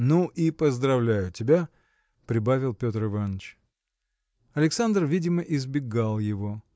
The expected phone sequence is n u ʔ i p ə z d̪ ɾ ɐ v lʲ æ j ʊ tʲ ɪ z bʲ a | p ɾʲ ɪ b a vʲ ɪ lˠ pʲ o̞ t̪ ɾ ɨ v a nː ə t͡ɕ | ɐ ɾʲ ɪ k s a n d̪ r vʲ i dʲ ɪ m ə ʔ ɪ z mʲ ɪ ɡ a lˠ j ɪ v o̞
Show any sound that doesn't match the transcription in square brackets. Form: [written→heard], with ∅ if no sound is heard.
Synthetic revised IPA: n u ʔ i p ə z d̪ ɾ ɐ v lʲ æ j ʊ tʲ ɪ [z→∅] bʲ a | p ɾʲ ɪ b a vʲ ɪ lˠ pʲ o̞ t̪ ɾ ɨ v a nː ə t͡ɕ | ɐ [ɾʲ→lʲ] ɪ k s a n d̪ r vʲ i dʲ ɪ m ə ʔ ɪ z [mʲ→bʲ] ɪ ɡ a lˠ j ɪ v o̞